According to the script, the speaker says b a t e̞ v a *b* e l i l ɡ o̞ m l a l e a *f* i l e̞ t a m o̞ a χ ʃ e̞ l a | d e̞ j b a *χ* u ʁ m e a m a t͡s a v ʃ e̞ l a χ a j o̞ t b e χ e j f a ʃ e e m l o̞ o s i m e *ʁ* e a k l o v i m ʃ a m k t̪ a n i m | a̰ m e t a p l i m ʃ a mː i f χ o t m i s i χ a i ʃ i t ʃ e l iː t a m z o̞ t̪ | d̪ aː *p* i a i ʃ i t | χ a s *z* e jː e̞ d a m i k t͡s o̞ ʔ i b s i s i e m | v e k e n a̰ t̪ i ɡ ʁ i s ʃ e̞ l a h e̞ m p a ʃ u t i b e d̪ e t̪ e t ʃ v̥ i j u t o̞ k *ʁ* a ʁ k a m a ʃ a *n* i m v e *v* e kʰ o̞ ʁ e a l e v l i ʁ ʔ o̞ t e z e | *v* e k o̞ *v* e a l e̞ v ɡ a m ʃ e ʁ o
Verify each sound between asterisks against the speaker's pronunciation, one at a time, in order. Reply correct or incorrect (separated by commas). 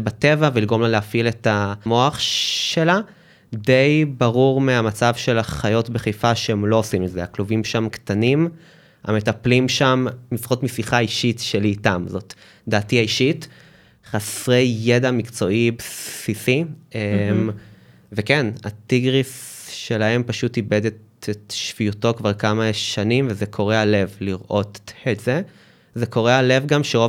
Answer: incorrect, correct, incorrect, incorrect, incorrect, incorrect, incorrect, correct, incorrect, incorrect, incorrect